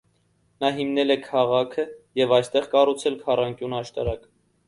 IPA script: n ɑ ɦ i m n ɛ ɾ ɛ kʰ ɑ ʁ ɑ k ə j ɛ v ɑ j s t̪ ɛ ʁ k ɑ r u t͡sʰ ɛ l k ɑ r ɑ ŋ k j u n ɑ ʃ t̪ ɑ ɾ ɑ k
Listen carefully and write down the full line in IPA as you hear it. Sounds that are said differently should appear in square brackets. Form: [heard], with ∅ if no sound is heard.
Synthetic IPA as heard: n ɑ ɦ i m n ɛ [l] ɛ kʰ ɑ ʁ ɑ [kʰ] ə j ɛ v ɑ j s t̪ ɛ ʁ k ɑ r u t͡sʰ ɛ l [kʰ] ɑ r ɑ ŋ k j u n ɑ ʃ t̪ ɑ ɾ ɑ k